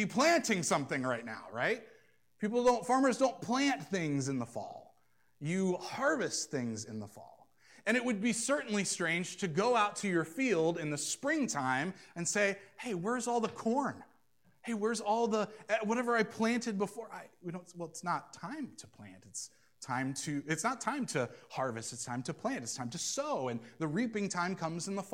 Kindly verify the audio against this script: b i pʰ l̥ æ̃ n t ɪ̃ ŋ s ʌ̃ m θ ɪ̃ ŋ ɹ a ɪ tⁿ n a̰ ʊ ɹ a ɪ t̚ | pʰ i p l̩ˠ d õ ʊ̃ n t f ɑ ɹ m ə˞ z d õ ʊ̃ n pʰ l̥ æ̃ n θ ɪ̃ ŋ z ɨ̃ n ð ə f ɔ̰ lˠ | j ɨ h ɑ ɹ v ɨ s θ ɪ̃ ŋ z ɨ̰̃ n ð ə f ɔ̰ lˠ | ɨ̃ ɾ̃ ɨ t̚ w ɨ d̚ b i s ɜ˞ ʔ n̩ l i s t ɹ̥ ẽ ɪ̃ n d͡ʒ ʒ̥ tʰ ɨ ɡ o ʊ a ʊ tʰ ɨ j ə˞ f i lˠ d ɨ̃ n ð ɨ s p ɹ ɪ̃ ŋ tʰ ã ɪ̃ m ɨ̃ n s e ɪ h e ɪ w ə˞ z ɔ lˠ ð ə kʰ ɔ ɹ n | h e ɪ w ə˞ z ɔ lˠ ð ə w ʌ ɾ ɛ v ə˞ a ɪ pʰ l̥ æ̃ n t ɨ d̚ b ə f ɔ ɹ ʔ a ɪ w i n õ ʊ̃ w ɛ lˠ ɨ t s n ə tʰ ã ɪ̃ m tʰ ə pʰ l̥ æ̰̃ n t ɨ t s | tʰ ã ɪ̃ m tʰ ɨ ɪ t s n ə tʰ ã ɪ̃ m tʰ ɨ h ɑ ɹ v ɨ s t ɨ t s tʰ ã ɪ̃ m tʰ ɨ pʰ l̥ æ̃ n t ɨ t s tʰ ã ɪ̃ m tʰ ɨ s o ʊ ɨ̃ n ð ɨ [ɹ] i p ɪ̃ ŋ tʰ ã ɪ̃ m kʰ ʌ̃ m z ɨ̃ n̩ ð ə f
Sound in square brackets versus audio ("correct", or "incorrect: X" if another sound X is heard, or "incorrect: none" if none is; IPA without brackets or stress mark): correct